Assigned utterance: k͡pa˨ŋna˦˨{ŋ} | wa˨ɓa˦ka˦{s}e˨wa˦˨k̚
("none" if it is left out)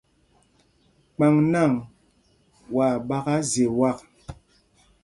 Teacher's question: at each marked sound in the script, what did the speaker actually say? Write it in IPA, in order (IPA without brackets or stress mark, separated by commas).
ŋ, z